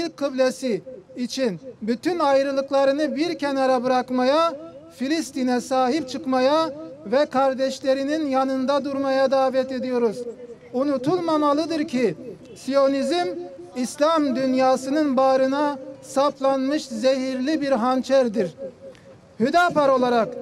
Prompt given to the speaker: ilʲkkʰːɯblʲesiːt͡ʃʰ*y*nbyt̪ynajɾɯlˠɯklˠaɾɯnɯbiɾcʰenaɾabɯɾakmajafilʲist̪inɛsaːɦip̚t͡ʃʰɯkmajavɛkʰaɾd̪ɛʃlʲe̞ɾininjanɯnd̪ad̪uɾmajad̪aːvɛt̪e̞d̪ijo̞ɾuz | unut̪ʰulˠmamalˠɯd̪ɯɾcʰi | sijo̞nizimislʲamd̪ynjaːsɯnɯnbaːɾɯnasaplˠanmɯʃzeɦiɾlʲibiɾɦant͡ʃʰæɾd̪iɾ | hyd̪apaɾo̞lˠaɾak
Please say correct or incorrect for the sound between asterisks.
incorrect